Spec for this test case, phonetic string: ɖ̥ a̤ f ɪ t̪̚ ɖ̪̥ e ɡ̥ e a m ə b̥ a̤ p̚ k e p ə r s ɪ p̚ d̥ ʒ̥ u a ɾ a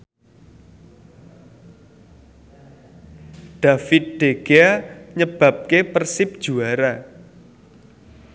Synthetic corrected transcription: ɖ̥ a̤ f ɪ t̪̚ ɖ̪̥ e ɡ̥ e a ɲ ə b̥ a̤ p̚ k e p ə r s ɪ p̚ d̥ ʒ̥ u a ɾ a